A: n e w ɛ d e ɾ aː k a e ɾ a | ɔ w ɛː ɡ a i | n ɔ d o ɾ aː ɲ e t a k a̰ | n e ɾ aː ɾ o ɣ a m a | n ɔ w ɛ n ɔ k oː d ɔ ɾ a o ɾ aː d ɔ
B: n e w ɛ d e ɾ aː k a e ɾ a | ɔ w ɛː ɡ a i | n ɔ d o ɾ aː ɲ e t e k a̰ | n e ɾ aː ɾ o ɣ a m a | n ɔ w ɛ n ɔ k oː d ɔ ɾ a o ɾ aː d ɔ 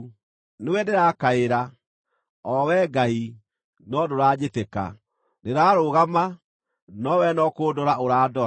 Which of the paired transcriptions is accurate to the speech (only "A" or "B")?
B